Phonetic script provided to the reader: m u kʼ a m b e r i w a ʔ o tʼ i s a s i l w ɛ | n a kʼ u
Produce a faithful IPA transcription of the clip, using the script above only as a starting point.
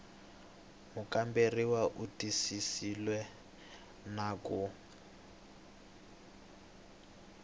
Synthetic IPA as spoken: m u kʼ a m b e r i w a ʔ u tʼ i s i s i l w ɛ | n a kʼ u